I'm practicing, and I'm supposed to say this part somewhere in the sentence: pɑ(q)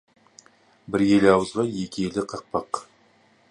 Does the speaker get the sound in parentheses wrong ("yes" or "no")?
no